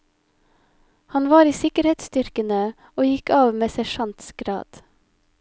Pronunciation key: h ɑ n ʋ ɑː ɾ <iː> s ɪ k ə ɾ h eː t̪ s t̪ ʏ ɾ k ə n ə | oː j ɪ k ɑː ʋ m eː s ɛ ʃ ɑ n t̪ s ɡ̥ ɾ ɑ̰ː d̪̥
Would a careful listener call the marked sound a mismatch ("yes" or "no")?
no